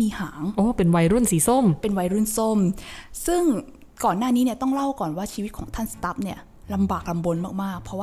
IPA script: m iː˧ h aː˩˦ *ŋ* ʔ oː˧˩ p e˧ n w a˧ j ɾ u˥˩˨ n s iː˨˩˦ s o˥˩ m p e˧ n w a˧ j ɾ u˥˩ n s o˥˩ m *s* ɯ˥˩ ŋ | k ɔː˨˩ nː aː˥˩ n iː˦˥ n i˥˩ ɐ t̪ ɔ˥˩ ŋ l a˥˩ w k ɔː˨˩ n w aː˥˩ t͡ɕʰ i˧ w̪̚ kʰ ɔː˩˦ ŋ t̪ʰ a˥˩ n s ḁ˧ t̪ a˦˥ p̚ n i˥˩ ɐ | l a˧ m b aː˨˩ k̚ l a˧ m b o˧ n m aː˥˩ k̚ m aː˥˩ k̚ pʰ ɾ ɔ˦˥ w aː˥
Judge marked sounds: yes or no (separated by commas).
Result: yes, yes